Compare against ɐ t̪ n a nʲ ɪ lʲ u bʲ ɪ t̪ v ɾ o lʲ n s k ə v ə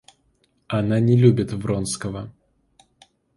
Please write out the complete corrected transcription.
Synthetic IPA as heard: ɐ n a nʲ ɪ lʲ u bʲ ɪ t̪ v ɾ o n s k ə v ə